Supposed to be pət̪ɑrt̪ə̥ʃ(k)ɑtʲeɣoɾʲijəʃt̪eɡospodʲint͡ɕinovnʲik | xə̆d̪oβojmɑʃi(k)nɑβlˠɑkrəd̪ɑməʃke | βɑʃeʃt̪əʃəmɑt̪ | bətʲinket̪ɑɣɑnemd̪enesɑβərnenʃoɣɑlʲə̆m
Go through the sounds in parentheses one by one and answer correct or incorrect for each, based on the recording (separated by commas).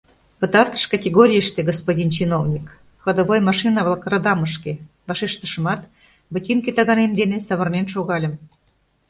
correct, incorrect